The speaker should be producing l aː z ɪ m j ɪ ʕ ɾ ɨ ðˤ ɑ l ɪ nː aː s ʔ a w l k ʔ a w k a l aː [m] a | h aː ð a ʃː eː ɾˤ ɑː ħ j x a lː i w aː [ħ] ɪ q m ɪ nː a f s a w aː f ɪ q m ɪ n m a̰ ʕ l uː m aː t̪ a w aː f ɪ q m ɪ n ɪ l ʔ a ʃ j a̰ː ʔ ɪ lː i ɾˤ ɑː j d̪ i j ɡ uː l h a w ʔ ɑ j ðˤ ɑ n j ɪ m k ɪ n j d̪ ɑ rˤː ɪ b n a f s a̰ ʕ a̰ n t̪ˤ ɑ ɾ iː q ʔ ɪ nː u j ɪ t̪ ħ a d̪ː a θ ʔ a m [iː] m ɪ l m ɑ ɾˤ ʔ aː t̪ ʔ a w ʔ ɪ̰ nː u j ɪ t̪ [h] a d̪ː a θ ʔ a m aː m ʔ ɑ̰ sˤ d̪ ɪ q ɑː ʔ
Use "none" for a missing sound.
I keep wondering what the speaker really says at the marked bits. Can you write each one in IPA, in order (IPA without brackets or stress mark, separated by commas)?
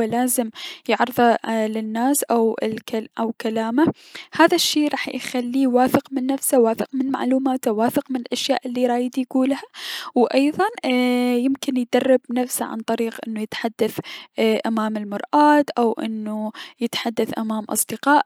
m, f, aː, ħ